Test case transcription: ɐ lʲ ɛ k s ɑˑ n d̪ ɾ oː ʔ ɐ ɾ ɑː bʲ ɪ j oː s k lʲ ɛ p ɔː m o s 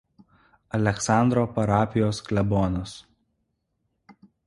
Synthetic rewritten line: ɐ lʲ ɛ k s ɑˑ n d̪ ɾ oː p ɐ ɾ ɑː pʲ ɪ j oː s k lʲ ɛ b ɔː n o s